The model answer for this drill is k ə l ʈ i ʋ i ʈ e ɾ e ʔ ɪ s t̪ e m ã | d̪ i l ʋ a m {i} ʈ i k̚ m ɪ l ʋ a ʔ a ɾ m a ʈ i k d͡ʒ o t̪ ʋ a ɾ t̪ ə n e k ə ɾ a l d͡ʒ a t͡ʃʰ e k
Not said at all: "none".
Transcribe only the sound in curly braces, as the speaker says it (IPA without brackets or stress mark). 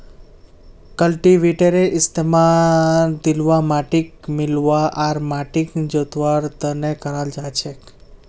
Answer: a